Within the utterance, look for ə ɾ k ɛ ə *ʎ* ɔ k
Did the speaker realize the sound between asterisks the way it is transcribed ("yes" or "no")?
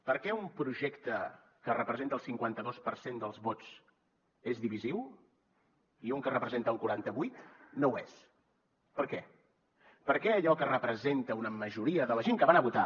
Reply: yes